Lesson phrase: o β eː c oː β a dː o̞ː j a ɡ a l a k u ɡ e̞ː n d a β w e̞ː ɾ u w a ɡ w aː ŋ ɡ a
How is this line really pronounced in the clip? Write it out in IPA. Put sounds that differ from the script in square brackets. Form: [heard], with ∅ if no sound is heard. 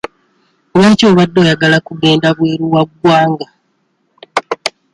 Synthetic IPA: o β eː c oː β a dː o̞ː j a ɡ a l a k u ɡ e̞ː n d a β w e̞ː ɾ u w a ɡ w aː ŋ ɡ a